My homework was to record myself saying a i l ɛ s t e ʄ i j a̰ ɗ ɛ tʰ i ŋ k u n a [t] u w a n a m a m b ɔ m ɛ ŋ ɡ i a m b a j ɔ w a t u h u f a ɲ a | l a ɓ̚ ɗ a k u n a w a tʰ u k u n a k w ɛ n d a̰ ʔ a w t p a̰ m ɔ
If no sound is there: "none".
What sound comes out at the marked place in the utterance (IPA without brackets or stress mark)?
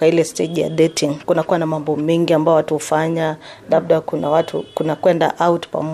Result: k